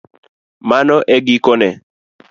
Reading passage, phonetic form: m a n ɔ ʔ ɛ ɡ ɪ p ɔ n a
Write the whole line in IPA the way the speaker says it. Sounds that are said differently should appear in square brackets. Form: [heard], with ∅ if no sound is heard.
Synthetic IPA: m a n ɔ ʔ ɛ ɡ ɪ [k] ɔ n [ɛ]